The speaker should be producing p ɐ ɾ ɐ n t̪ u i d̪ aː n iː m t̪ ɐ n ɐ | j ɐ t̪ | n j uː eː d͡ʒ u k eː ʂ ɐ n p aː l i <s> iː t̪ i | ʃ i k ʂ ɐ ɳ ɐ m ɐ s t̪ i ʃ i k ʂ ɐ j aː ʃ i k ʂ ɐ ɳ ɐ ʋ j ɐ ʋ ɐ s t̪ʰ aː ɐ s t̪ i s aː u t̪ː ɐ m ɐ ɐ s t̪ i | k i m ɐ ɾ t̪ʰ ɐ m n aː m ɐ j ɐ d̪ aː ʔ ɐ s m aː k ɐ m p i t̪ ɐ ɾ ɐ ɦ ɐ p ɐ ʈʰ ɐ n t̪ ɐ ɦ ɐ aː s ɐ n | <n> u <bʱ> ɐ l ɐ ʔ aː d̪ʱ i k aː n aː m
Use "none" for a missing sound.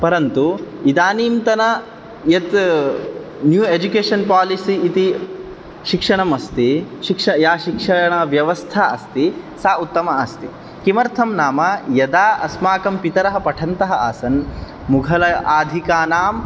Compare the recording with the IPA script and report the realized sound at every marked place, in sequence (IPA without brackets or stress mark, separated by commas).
s, m, ɡʱ